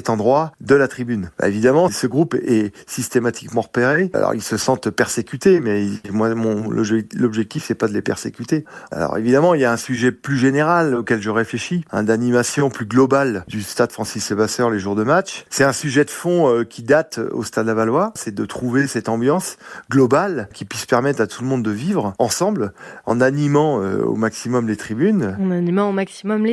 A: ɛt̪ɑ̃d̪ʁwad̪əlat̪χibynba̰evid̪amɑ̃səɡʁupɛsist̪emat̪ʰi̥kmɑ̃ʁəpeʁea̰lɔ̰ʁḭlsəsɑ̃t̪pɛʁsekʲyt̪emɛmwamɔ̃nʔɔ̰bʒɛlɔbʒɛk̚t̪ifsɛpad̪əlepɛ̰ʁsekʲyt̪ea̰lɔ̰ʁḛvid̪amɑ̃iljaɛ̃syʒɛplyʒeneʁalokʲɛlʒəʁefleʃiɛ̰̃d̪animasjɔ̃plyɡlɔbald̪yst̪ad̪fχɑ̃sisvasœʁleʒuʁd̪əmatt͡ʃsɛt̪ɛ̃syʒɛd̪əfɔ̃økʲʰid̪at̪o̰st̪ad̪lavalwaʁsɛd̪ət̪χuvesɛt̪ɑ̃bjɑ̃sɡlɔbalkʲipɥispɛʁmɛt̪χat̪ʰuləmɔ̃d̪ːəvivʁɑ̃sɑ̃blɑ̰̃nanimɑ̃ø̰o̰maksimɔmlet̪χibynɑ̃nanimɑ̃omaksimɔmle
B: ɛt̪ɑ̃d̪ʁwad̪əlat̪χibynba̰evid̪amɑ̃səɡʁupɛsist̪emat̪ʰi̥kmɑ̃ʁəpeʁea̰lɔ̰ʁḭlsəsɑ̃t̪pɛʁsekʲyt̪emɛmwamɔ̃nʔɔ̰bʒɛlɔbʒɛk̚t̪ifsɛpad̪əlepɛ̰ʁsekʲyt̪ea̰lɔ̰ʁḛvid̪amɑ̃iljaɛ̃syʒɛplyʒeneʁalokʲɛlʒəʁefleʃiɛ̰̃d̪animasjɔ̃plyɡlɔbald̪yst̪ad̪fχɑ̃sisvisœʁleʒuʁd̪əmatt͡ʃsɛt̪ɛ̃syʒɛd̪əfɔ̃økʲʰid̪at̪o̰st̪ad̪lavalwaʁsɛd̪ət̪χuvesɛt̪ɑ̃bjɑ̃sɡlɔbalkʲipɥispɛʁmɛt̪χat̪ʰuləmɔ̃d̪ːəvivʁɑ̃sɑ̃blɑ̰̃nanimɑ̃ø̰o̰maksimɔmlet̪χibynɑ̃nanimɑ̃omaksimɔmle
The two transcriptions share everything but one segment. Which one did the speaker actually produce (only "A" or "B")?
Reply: A